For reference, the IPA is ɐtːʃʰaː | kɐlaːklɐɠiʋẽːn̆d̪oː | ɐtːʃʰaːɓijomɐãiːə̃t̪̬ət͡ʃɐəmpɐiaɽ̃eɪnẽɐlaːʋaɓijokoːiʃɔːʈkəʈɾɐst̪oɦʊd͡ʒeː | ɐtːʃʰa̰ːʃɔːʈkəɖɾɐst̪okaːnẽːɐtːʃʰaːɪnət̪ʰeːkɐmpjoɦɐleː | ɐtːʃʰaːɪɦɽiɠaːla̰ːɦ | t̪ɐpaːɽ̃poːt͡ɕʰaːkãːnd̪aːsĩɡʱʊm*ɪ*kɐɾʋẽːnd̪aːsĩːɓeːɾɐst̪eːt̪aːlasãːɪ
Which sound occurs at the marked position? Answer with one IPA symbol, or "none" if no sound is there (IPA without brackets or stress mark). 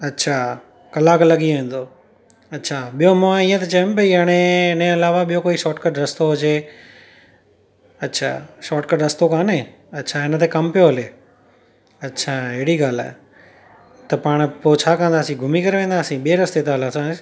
i